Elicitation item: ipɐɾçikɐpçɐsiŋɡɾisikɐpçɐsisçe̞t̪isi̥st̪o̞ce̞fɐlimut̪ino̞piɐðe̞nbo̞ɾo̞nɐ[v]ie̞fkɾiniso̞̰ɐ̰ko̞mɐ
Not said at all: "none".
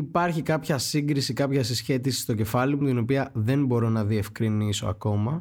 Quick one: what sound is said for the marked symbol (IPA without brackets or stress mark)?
ð